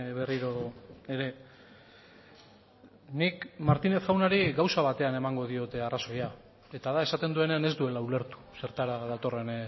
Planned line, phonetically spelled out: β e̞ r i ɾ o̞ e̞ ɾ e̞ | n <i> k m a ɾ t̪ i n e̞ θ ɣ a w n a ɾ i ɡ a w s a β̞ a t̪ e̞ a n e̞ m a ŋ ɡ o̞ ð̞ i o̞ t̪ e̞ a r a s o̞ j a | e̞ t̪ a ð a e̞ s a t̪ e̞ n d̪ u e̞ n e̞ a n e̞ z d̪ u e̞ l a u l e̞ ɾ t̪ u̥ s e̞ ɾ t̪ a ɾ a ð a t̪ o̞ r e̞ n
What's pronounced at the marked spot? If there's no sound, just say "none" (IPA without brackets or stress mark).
i